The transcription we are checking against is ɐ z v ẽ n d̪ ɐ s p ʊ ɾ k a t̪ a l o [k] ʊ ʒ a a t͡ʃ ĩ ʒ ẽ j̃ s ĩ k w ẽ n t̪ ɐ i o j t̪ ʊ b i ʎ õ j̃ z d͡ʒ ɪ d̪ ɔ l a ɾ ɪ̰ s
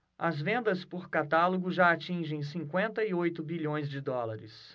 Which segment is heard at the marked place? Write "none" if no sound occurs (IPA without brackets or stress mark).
ɡ